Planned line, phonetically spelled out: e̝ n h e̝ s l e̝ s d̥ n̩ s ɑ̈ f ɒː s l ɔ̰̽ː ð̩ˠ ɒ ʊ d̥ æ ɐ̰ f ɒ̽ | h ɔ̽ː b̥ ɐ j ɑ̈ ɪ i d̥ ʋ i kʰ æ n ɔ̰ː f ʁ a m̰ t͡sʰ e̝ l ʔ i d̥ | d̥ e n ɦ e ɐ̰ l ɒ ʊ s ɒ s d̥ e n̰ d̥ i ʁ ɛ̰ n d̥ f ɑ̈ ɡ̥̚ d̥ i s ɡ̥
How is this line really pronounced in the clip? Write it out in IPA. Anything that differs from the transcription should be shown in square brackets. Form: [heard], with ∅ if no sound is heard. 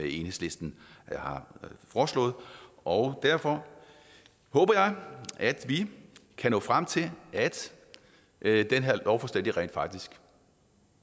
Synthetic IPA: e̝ n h e̝ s l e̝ s d̥ n̩ [h] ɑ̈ f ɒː s l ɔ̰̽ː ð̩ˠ ɒ ʊ d̥ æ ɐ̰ f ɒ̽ | h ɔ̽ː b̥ ɐ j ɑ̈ ɪ [æ] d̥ ʋ i kʰ æ n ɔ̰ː f ʁ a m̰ t͡sʰ e̝ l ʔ [æ] d̥ | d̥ e n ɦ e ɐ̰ l ɒ ʊ [f] ɒ s d̥ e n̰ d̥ i ʁ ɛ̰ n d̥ f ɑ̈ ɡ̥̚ d̥ i s ɡ̥

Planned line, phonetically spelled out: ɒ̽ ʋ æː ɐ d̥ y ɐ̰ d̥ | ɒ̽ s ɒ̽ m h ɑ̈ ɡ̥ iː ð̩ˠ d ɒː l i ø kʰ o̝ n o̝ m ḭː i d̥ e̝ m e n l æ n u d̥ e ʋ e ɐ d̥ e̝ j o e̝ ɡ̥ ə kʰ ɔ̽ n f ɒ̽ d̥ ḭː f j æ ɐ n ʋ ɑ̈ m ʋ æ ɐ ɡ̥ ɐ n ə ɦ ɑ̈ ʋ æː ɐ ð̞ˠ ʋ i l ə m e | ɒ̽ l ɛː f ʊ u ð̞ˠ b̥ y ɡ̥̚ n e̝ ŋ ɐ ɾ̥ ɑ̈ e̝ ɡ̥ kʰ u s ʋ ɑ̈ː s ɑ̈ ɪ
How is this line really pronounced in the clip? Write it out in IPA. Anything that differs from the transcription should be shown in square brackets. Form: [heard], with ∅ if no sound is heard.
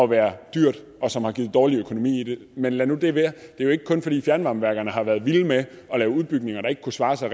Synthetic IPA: ɒ̽ ʋ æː ɐ d̥ y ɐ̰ d̥ | ɒ̽ s ɒ̽ m h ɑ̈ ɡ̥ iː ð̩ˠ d ɒː l i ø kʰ o̝ n o̝ m ḭː i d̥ e̝ m e n l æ n u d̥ e ʋ e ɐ d̥ e̝ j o e̝ ɡ̥ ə kʰ ɔ̽ n f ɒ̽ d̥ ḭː f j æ ɐ n ʋ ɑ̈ m ʋ æ ɐ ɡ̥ ɐ n ə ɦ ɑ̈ ʋ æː ɐ ð̞ˠ ʋ i l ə m e | ɒ̽ l ɛː [∅] ʊ u ð̞ˠ b̥ y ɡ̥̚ n e̝ ŋ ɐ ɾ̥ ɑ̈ e̝ ɡ̥ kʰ u s ʋ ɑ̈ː s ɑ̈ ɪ

